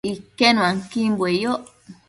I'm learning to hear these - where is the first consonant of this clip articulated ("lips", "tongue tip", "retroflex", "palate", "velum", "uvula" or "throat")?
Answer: velum